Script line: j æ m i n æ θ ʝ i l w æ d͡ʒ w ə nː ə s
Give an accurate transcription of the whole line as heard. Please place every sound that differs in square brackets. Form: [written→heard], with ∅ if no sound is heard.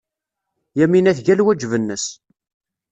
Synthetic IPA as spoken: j æ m i n æ θ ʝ [i→æ] l w æ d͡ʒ [w→v] ə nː ə s